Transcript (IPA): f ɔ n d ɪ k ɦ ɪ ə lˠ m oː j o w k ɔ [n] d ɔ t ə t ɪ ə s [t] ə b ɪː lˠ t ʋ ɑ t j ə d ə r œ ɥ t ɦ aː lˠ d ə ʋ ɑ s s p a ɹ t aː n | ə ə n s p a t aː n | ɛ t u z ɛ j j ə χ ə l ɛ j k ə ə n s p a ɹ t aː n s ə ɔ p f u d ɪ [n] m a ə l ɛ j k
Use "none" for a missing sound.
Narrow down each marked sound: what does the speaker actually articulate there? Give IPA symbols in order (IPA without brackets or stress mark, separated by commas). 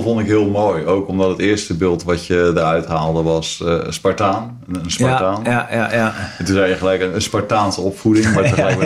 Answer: m, t, ŋ